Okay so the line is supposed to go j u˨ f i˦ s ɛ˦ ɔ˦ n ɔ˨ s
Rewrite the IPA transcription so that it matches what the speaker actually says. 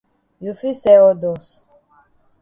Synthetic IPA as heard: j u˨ f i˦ s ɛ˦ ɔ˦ d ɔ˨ s